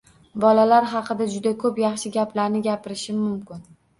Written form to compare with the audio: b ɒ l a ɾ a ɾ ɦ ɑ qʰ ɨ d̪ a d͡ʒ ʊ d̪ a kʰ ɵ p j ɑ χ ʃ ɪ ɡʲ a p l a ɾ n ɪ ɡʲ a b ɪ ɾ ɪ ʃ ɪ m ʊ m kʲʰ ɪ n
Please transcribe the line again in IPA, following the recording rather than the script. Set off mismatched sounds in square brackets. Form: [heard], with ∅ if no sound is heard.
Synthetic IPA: b ɒ l a [l] a ɾ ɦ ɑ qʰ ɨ d̪ a d͡ʒ ʊ d̪ a kʰ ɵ p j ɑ χ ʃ ɪ ɡʲ a p l a ɾ n ɪ ɡʲ a [p] ɪ ɾ ɪ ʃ ɪ m ʊ m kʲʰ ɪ n